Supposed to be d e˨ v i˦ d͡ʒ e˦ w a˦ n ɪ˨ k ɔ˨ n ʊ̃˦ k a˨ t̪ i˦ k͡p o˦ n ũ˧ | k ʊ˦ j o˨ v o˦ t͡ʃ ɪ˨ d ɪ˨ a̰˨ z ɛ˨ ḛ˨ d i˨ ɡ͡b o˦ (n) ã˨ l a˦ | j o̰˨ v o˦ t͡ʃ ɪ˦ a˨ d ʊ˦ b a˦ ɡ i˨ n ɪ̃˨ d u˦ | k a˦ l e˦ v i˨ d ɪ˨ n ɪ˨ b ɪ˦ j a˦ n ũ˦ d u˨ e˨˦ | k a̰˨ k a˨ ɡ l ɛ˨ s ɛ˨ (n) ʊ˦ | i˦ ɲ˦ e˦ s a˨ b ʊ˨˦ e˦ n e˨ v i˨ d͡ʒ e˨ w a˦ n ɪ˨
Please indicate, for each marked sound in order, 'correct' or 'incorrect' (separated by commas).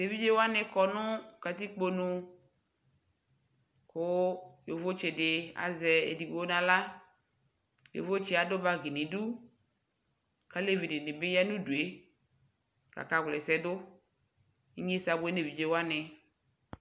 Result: correct, incorrect